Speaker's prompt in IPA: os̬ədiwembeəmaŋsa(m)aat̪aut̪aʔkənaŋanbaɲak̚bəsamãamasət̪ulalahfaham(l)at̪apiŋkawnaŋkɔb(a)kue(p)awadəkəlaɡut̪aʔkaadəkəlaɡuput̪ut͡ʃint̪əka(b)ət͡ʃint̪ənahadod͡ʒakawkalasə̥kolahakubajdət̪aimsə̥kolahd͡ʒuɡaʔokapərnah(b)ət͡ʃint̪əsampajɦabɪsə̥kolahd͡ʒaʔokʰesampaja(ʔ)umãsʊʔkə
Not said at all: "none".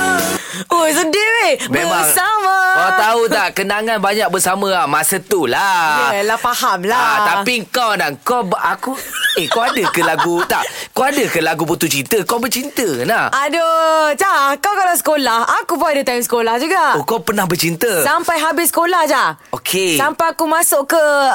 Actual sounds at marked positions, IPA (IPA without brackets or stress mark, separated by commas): m, l, a, k, b, b, k